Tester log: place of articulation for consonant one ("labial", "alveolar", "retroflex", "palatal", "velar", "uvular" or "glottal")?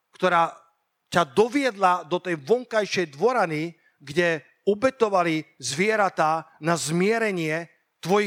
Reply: velar